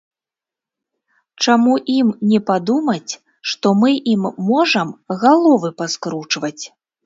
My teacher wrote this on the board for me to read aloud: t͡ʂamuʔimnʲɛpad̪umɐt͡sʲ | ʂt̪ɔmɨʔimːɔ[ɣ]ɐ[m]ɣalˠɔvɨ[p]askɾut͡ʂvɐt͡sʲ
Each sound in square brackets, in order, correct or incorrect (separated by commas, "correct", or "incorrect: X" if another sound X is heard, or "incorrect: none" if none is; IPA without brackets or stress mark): incorrect: ʐ, correct, correct